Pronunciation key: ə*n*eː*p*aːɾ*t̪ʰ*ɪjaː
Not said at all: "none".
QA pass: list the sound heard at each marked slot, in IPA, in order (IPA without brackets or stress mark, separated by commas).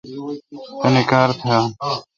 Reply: n, k, t̪ʰ